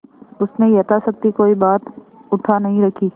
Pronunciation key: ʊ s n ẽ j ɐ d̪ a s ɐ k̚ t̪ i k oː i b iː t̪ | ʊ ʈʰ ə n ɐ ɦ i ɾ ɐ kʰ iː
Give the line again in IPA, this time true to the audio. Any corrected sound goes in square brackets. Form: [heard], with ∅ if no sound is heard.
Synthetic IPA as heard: ʊ s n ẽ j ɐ [t̪] a s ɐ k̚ t̪ i k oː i b [aː] t̪ | ʊ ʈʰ [a] n ɐ ɦ [ĩ] ɾ ɐ kʰ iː